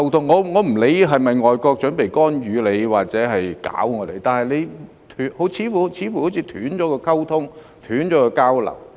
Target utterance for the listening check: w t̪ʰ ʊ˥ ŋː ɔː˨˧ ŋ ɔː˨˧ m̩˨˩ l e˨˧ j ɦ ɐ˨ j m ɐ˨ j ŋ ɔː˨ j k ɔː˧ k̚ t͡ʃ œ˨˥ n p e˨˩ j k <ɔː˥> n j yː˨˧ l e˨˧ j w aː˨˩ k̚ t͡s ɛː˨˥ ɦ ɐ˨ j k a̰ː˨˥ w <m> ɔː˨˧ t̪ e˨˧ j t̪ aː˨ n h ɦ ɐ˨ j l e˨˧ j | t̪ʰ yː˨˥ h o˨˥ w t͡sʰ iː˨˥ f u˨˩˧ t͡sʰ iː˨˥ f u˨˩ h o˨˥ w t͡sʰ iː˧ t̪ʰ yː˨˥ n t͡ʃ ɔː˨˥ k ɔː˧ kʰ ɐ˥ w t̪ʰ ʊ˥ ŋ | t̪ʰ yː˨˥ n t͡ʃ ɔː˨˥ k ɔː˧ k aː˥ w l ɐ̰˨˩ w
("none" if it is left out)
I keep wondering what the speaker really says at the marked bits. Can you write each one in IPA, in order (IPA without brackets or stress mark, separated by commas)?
ɔː˥, ŋ